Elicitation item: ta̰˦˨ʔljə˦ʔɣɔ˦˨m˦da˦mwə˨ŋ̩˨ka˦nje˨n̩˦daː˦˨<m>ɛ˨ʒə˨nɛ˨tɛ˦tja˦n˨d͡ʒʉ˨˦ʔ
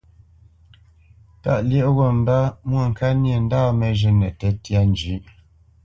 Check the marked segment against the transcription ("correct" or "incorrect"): correct